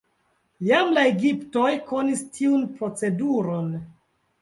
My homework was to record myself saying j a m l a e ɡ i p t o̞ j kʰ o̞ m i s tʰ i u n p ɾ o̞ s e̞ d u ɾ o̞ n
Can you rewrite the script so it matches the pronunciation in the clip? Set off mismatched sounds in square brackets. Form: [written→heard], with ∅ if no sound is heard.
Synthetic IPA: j a m l a e ɡ i p t o̞ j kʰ o̞ [m→n] i s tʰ i u n p ɾ o̞ [s→t͡s] e̞ d u ɾ o̞ n